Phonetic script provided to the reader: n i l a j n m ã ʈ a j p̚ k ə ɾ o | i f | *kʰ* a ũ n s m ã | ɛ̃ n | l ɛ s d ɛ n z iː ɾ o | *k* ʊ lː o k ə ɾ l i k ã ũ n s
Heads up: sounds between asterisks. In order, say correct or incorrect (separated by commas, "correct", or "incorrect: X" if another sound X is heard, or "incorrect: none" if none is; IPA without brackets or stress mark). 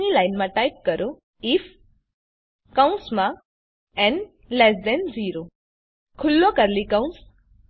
incorrect: k, incorrect: kʰ